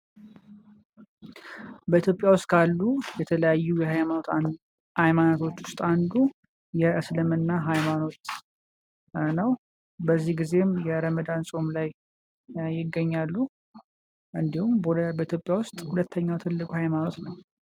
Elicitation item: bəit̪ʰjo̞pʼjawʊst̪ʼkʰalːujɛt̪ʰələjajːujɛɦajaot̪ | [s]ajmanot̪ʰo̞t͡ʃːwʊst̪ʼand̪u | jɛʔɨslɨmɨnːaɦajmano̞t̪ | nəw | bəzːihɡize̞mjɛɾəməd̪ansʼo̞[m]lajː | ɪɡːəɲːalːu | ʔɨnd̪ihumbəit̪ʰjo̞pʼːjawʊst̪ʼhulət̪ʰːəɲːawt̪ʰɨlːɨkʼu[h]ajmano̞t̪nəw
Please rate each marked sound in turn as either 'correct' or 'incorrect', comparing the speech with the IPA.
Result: incorrect: h, correct, correct

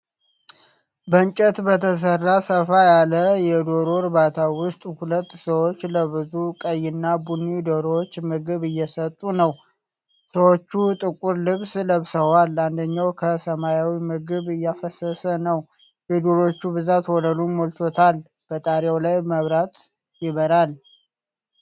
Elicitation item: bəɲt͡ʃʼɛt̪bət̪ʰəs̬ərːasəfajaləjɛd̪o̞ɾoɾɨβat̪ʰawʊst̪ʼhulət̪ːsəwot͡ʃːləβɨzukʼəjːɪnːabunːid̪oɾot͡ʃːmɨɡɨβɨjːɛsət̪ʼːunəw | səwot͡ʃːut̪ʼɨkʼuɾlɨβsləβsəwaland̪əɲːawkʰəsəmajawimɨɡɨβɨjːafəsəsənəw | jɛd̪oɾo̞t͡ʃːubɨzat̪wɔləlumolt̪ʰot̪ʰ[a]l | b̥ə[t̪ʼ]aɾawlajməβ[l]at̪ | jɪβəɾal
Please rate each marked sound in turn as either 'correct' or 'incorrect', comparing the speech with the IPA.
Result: correct, correct, incorrect: ɾ

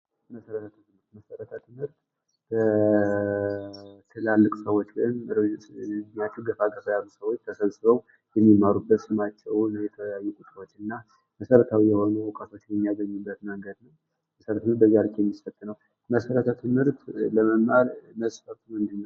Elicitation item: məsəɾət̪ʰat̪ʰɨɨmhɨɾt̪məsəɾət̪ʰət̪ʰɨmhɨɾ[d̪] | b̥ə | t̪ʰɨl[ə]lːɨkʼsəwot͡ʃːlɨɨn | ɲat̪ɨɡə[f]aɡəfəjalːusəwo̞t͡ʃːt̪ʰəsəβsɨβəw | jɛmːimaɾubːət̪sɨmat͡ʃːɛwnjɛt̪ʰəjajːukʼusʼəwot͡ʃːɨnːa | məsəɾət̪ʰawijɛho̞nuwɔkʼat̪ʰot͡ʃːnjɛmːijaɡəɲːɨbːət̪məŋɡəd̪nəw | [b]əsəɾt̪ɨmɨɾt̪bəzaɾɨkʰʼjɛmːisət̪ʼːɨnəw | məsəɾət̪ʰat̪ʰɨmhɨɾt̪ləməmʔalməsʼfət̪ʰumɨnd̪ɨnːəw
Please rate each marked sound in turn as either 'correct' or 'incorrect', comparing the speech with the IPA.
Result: incorrect: t̪, incorrect: a, correct, incorrect: m

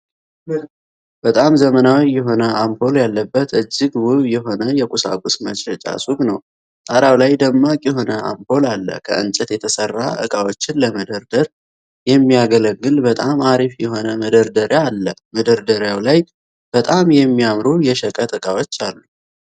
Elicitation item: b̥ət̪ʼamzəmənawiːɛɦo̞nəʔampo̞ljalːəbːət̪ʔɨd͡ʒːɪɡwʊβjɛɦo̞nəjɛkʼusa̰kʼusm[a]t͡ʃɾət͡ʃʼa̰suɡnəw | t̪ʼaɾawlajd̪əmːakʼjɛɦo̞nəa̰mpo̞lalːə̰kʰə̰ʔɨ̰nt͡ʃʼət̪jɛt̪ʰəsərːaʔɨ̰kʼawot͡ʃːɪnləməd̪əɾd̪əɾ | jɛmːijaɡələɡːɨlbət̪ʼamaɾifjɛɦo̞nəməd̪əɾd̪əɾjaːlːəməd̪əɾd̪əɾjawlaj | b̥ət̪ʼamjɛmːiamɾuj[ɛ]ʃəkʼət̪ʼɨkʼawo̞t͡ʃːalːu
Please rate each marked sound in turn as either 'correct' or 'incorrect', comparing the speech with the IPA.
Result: incorrect: ə, correct

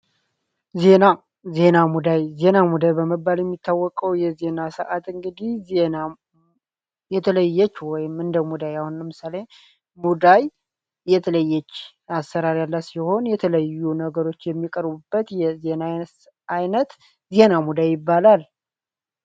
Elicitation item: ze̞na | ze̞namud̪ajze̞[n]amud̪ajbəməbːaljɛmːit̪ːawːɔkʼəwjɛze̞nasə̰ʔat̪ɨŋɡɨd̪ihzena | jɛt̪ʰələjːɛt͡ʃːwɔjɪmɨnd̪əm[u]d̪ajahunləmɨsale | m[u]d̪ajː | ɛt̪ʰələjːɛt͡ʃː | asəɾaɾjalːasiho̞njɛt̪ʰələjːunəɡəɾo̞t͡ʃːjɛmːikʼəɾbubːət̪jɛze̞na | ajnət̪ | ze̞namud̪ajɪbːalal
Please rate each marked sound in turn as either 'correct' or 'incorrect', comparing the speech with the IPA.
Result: correct, correct, correct

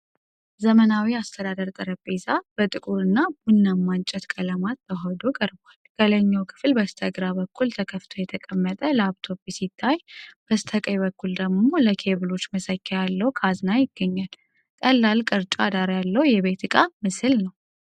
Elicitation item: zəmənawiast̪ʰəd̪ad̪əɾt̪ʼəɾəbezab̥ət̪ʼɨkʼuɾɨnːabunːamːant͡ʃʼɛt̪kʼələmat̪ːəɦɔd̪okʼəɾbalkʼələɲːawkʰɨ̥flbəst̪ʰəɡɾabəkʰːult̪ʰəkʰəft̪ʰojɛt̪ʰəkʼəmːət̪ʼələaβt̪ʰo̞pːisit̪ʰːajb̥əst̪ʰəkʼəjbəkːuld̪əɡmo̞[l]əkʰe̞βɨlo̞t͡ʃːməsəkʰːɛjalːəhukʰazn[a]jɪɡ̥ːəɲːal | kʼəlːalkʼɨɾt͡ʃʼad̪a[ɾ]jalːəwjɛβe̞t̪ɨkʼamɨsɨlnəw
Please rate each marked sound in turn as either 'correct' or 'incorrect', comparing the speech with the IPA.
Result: correct, correct, correct

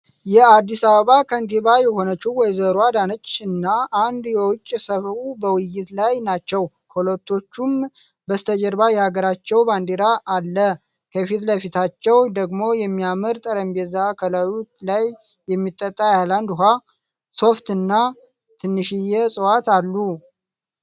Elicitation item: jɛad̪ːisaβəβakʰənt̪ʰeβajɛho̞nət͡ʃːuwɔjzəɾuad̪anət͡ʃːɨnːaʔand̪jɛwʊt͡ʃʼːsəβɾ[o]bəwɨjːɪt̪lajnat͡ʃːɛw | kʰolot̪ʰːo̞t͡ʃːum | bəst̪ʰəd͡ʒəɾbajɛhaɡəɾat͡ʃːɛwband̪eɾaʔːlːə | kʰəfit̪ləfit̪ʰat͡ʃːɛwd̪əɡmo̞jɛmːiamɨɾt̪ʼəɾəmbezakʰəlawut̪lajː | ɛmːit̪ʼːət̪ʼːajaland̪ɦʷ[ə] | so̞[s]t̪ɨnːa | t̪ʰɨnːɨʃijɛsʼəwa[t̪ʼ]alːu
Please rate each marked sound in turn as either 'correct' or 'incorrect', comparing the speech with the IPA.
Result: incorrect: u, incorrect: a, incorrect: f, incorrect: t̪

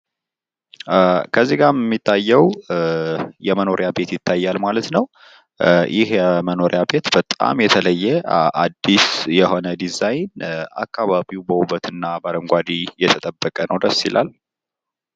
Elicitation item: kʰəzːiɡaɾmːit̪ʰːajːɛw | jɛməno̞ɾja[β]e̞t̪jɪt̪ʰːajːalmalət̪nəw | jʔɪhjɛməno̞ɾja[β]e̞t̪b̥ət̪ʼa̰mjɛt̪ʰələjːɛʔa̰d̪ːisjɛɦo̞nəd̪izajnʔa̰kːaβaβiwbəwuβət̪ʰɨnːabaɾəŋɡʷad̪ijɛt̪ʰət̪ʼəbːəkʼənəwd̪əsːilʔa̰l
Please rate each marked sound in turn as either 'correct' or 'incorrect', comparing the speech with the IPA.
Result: incorrect: b, incorrect: b

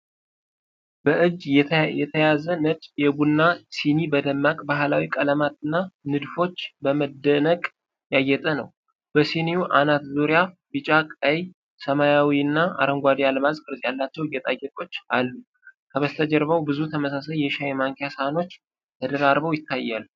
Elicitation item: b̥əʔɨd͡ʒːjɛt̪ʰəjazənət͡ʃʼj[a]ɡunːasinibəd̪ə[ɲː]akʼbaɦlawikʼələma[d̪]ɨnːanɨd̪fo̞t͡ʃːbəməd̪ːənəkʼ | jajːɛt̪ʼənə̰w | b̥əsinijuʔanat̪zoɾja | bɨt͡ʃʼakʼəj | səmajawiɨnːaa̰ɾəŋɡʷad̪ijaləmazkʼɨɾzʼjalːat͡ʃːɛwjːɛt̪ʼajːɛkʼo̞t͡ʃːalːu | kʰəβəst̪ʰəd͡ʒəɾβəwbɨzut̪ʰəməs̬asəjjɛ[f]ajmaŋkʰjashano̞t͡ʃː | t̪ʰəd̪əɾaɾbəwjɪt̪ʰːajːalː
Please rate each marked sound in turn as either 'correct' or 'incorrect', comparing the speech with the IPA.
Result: incorrect: ɛ, incorrect: mː, incorrect: t̪, incorrect: ʃ

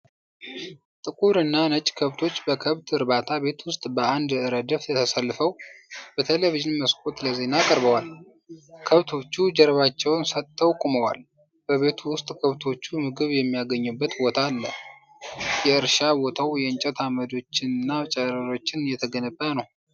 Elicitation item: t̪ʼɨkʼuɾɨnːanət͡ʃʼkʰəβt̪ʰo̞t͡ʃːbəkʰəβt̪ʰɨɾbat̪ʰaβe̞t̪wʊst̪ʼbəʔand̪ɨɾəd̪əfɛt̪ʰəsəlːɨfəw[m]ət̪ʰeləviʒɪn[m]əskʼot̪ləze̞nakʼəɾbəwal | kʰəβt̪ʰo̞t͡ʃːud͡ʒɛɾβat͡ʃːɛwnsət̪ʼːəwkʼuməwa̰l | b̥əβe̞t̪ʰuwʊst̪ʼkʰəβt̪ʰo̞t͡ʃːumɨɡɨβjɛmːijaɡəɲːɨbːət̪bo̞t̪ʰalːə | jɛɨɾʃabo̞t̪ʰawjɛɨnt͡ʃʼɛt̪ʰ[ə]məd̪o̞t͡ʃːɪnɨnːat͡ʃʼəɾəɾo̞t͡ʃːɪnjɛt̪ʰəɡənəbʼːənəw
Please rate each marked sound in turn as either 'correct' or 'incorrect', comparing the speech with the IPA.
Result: incorrect: b, correct, incorrect: a

